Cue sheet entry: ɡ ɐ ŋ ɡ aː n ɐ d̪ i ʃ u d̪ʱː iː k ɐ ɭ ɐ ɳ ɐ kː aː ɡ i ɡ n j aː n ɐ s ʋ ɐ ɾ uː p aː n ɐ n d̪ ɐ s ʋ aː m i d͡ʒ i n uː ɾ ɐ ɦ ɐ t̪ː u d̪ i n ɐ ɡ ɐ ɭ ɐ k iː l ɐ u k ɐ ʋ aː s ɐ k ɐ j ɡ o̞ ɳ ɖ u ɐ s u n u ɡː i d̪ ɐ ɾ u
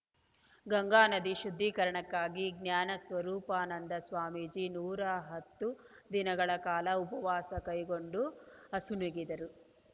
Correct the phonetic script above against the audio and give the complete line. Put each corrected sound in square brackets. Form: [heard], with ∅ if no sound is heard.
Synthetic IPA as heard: ɡ ɐ ŋ ɡ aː n ɐ d̪ i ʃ u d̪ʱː iː k ɐ [ɾ] ɐ ɳ ɐ kː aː ɡ i ɡ n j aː n ɐ s ʋ ɐ ɾ uː p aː n ɐ n d̪ ɐ s ʋ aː m i d͡ʒ i n uː ɾ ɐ ɦ ɐ t̪ː u d̪ i n ɐ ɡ ɐ ɭ ɐ k [aː] l ɐ u [p] ɐ ʋ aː s ɐ k ɐ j ɡ o̞ ɳ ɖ u ɐ s u n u [ɡ] i d̪ ɐ ɾ u

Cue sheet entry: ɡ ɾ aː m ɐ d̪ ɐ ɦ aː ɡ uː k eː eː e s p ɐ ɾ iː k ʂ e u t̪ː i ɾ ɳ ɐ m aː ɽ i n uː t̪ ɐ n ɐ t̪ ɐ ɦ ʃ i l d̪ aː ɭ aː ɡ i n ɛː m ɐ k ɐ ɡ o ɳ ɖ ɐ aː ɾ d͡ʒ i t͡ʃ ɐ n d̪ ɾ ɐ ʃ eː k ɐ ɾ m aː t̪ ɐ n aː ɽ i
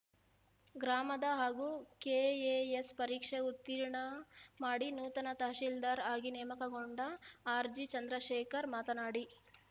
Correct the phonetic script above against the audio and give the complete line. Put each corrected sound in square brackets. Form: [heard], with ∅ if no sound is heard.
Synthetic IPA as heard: ɡ ɾ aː m ɐ d̪ ɐ ɦ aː ɡ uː k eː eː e s p ɐ ɾ iː k ʂ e u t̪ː i ɾ ɳ ɐ m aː ɽ i n uː t̪ ɐ n ɐ t̪ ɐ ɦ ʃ i l d̪ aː [ɾ] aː ɡ i n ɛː m ɐ k ɐ ɡ o ɳ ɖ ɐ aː ɾ d͡ʒ i t͡ʃ ɐ n d̪ ɾ ɐ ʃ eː k ɐ ɾ m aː t̪ ɐ n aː ɽ i

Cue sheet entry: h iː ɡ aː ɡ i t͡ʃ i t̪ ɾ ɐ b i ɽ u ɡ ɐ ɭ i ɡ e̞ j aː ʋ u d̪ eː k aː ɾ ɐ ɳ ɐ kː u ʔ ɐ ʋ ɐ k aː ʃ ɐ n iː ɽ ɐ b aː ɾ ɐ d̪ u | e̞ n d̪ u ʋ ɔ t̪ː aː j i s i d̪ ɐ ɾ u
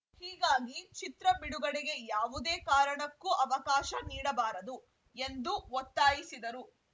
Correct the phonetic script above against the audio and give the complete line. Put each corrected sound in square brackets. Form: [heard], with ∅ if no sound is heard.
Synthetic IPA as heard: h iː ɡ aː ɡ i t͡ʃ i t̪ ɾ ɐ b i ɽ u ɡ ɐ [ɽ] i ɡ e̞ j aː ʋ u d̪ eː k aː ɾ ɐ ɳ ɐ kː u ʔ ɐ ʋ ɐ k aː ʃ ɐ n iː ɽ ɐ b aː ɾ ɐ d̪ u | e̞ n d̪ u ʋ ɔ t̪ː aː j i s i d̪ ɐ ɾ u

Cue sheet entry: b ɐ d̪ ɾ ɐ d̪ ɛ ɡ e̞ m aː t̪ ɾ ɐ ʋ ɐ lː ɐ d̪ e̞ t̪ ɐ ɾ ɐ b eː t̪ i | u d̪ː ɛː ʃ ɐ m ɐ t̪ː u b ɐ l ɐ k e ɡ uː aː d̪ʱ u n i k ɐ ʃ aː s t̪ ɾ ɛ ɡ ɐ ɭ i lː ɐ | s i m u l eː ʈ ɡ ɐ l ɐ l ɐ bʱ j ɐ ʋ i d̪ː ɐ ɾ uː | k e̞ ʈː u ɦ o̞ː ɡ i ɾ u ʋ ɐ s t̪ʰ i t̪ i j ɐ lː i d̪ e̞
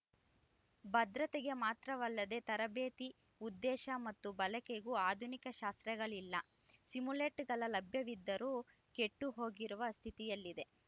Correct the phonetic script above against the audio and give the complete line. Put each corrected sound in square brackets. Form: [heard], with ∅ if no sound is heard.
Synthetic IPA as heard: b ɐ d̪ ɾ ɐ [t̪] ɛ ɡ e̞ m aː t̪ ɾ ɐ ʋ ɐ lː ɐ d̪ e̞ t̪ ɐ ɾ ɐ b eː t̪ i | u d̪ː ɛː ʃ ɐ m ɐ t̪ː u b ɐ l ɐ k e ɡ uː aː d̪ʱ u n i k ɐ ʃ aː s t̪ ɾ ɛ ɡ ɐ ɭ i lː ɐ | s i m u l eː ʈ ɡ ɐ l ɐ l ɐ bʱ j ɐ ʋ i d̪ː ɐ ɾ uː | k e̞ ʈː u ɦ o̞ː ɡ i ɾ u ʋ ɐ s t̪ʰ i t̪ i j ɐ lː i d̪ e̞

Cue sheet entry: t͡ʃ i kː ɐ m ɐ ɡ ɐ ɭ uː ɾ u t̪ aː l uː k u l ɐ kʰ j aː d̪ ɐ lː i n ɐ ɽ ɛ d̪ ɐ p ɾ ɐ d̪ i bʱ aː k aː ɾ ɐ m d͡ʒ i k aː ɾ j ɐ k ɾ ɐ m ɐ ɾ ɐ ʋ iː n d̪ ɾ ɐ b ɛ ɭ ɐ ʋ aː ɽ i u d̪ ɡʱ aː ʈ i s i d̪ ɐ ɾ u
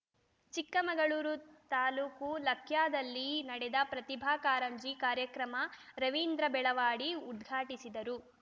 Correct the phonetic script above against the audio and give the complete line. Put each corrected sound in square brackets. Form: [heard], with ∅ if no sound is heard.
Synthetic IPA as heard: t͡ʃ i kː ɐ m ɐ ɡ ɐ ɭ uː ɾ u t̪ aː l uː k u l ɐ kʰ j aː d̪ ɐ lː i n ɐ ɽ ɛ d̪ ɐ p ɾ ɐ [t̪] i bʱ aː k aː ɾ ɐ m d͡ʒ i k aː ɾ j ɐ k ɾ ɐ m ɐ ɾ ɐ ʋ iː n d̪ ɾ ɐ b ɛ ɭ ɐ ʋ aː ɽ i u d̪ ɡʱ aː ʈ i s i d̪ ɐ ɾ u

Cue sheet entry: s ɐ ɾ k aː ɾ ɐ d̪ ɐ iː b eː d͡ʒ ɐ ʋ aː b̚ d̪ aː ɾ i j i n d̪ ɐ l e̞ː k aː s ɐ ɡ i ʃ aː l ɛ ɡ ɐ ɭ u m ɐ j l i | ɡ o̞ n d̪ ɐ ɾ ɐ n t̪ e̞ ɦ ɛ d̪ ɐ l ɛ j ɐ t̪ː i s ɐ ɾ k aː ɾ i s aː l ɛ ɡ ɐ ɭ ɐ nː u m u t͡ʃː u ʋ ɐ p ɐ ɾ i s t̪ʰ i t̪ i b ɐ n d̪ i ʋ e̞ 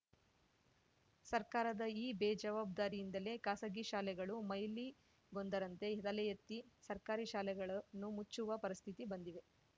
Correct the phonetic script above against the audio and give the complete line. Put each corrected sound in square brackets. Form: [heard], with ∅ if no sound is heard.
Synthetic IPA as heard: s ɐ ɾ k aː ɾ ɐ d̪ ɐ iː b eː d͡ʒ ɐ ʋ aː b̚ d̪ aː ɾ i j i n d̪ ɐ l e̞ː k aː s ɐ ɡ i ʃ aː l ɛ ɡ ɐ ɭ u m ɐ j l i | ɡ o̞ n d̪ ɐ ɾ ɐ n t̪ e̞ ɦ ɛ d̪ ɐ l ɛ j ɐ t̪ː i s ɐ ɾ k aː ɾ i [ʃ] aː l ɛ ɡ ɐ ɭ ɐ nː u m u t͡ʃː u ʋ ɐ p ɐ ɾ i s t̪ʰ i t̪ i b ɐ n d̪ i ʋ e̞

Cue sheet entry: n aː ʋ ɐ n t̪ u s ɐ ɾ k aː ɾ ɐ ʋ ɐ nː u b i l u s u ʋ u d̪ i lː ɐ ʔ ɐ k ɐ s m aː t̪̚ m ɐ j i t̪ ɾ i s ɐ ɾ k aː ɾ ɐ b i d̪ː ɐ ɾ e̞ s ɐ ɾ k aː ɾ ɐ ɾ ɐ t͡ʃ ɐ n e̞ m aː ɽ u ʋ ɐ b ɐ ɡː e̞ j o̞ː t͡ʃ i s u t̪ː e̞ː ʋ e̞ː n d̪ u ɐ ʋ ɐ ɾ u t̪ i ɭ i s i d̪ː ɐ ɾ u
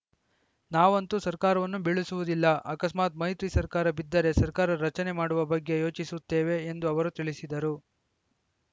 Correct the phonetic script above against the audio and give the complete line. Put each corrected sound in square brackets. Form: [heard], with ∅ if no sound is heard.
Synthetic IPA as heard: n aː ʋ ɐ n t̪ u s ɐ ɾ k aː ɾ ɐ ʋ ɐ nː u b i [ɭ] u s u ʋ u d̪ i lː ɐ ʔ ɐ k ɐ s m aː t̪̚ m ɐ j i t̪ ɾ i s ɐ ɾ k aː ɾ ɐ b i d̪ː ɐ ɾ e̞ s ɐ ɾ k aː ɾ ɐ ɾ ɐ t͡ʃ ɐ n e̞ m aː ɽ u ʋ ɐ b ɐ ɡː e̞ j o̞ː t͡ʃ i s u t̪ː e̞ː ʋ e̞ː n d̪ u ɐ ʋ ɐ ɾ u t̪ i ɭ i s i [d̪] ɐ ɾ u

